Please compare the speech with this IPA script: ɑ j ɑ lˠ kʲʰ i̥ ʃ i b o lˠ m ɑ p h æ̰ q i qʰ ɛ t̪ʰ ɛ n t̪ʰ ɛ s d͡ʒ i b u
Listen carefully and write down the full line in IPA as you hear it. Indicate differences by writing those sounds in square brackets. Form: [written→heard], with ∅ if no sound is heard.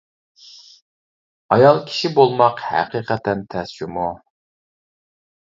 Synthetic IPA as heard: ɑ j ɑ lˠ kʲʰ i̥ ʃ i b o lˠ m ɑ [p→q] h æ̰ q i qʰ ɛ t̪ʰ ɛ n t̪ʰ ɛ s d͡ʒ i [b→m] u